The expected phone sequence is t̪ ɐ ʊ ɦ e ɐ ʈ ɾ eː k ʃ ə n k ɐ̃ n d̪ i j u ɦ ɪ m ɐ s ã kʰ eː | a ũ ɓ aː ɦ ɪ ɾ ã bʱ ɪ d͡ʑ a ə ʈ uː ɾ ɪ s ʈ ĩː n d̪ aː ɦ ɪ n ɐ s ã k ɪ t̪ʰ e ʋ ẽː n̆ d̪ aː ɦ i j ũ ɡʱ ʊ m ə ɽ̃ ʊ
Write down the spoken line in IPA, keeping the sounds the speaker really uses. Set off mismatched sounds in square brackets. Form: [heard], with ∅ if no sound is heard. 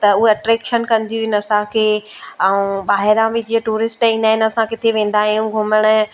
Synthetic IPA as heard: t̪ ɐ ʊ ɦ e ɐ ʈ ɾ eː k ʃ ə n k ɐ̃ n d̪ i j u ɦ ɪ [n] ɐ s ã kʰ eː | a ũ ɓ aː ɦ ɪ ɾ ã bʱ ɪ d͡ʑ [i] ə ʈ uː ɾ ɪ s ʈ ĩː n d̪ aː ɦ ɪ n ɐ s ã k ɪ t̪ʰ e ʋ ẽː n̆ d̪ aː ɦ i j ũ ɡʱ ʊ m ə ɽ̃ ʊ